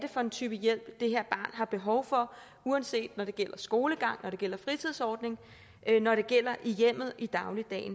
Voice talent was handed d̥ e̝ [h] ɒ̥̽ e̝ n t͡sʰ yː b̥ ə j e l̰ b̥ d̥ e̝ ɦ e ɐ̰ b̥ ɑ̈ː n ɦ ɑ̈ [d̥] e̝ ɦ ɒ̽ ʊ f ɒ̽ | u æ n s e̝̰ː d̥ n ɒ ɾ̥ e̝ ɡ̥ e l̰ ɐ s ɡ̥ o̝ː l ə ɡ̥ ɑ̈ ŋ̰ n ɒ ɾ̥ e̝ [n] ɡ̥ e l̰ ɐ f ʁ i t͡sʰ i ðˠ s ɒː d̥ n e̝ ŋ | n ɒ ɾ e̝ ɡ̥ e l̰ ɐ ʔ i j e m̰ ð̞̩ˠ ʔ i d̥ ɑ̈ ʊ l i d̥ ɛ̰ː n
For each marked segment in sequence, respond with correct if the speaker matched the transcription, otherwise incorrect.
incorrect: f, incorrect: b̥, incorrect: none

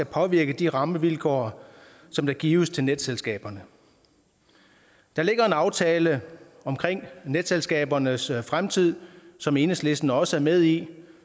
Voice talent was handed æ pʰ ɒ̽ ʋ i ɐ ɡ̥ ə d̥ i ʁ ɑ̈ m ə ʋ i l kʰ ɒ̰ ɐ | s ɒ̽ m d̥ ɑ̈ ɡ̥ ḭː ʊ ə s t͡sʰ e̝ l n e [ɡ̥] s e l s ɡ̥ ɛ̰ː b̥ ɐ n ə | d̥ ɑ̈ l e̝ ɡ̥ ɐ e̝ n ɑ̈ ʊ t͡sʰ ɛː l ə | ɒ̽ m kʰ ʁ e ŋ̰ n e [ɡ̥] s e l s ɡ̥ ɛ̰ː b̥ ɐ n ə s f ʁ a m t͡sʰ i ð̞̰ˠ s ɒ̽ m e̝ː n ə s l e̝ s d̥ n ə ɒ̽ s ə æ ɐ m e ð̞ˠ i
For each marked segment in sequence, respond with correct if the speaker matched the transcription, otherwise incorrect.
incorrect: d̥, incorrect: d̥

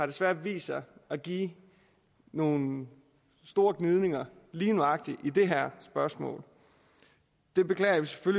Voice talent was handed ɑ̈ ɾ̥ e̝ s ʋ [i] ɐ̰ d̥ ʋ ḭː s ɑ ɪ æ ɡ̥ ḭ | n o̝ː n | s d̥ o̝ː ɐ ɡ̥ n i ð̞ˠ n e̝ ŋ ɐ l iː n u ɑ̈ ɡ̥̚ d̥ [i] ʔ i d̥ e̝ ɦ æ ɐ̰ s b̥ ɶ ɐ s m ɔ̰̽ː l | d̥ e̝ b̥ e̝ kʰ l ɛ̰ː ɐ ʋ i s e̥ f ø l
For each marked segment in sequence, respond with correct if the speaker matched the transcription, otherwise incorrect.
incorrect: æ, correct

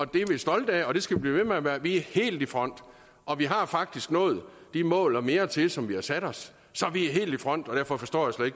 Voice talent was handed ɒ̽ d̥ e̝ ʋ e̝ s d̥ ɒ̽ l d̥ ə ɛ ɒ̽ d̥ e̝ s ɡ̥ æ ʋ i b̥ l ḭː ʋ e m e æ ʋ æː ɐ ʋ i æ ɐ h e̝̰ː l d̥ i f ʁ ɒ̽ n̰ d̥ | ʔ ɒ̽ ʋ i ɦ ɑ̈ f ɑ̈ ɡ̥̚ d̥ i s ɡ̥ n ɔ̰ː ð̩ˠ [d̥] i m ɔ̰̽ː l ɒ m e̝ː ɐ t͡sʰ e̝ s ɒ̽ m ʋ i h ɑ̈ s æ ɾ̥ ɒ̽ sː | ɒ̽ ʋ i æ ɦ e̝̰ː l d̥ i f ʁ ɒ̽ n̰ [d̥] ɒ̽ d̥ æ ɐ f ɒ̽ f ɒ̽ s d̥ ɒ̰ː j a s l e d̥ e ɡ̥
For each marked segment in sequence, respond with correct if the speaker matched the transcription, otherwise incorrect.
correct, correct

